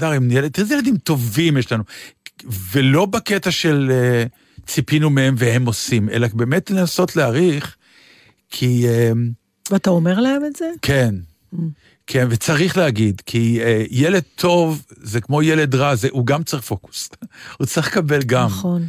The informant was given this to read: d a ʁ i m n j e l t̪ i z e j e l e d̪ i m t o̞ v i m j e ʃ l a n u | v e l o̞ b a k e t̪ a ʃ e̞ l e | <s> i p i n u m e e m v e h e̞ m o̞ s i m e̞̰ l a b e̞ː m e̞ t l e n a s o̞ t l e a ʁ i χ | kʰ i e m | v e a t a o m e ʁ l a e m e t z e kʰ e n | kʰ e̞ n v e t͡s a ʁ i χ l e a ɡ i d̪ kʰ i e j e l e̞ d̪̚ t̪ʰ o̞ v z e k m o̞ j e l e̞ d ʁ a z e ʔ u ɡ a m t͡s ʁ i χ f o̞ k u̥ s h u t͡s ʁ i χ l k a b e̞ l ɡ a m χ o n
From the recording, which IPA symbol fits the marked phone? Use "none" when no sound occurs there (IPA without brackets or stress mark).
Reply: t͡s